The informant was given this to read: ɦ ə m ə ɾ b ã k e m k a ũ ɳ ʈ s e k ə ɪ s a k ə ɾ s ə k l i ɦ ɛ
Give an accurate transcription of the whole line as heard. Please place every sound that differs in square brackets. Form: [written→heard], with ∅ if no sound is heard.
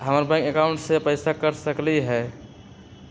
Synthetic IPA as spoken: ɦ ə m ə ɾ b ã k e [m→∅] k a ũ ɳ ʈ s e [k→p] ə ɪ s a k ə ɾ s ə k l i ɦ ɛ